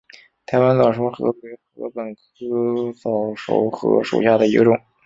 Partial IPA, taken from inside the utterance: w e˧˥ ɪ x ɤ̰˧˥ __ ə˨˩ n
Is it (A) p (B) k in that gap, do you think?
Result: A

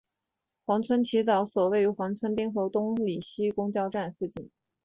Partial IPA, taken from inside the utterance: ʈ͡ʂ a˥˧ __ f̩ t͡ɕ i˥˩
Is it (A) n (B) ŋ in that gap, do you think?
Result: A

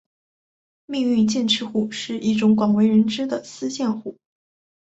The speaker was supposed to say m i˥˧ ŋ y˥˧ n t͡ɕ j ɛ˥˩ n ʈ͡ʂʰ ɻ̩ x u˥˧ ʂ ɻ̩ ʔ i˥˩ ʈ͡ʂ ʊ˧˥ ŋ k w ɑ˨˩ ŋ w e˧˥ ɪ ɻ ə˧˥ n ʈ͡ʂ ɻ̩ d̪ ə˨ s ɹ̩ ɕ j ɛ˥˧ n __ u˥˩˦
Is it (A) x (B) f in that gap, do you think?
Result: A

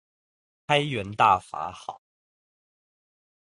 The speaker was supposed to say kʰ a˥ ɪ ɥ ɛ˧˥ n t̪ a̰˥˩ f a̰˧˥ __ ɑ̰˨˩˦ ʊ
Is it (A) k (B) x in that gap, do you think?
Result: B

